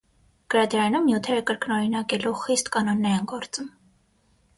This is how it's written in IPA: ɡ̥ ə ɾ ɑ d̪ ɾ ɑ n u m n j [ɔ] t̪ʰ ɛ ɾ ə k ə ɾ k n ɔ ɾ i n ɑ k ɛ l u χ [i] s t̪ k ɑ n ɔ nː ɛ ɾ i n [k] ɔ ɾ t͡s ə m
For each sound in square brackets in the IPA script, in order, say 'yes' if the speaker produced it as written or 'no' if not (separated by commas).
no, yes, no